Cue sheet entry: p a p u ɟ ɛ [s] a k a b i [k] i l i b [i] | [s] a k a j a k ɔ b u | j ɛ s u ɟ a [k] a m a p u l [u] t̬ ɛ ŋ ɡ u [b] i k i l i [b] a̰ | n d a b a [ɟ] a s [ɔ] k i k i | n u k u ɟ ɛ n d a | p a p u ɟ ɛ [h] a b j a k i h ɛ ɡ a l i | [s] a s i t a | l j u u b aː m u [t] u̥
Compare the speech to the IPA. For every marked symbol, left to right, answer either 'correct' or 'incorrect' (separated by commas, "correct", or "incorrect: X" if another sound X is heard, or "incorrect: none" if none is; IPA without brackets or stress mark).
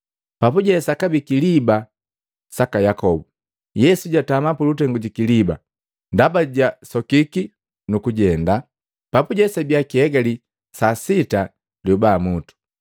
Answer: correct, correct, incorrect: a, correct, incorrect: t, correct, incorrect: ɟ, correct, correct, correct, incorrect: s, correct, correct